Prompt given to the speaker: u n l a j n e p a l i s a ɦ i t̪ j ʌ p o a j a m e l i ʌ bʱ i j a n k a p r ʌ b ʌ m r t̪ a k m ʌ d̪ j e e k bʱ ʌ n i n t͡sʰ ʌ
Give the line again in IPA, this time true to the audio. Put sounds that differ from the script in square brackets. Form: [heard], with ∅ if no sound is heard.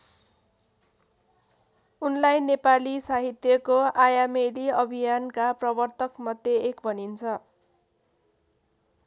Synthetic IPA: u n l a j n e p a l i s a ɦ i t̪ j ʌ [k] o a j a m e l i ʌ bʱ i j a n k a p r ʌ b ʌ [∅] r t̪ [ʌ] k m ʌ d̪ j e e k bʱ ʌ n i n t͡sʰ ʌ